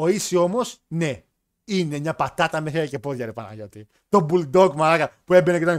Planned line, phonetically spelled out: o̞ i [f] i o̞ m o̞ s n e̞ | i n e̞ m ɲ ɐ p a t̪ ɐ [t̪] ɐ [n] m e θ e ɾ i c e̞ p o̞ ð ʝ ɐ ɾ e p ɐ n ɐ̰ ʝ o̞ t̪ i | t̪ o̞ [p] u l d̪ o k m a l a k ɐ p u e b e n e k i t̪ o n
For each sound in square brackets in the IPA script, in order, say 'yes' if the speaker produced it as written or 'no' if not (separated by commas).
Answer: no, yes, no, no